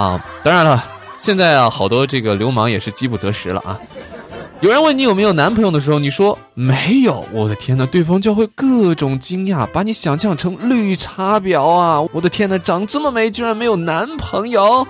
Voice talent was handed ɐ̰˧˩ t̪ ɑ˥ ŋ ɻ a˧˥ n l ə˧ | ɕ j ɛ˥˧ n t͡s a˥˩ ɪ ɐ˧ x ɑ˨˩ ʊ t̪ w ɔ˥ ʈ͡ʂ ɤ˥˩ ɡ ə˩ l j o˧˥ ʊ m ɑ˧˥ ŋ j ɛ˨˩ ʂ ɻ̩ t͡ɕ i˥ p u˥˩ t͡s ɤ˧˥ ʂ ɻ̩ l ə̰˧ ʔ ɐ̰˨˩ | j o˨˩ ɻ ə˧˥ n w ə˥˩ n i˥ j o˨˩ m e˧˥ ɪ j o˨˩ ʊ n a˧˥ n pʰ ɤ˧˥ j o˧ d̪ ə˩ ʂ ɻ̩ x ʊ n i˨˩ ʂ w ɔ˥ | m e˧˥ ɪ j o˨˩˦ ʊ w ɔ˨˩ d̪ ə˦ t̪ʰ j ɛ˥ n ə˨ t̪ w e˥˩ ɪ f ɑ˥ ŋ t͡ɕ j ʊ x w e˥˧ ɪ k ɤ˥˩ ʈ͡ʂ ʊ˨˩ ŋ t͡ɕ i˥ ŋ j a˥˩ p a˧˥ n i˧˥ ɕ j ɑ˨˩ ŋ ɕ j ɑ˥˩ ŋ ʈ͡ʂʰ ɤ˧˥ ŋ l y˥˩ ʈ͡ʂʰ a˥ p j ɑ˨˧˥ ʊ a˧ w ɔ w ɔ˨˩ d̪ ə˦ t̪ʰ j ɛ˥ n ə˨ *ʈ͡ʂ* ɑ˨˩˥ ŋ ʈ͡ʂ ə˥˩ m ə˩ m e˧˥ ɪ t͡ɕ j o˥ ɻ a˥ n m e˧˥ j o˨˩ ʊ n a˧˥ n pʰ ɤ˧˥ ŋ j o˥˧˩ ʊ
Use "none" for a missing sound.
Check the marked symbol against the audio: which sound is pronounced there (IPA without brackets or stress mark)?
ʈ͡ʂ